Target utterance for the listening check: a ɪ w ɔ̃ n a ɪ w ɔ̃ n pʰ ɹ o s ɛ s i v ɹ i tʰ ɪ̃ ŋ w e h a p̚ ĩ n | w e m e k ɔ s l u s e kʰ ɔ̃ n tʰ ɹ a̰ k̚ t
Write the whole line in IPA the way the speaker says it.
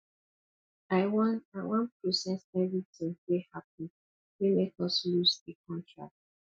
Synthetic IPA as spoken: a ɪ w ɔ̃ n a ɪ w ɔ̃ n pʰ ɹ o s ɛ s ɛ v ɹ i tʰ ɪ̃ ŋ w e h a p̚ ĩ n | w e m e k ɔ s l u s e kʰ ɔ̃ n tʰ ɹ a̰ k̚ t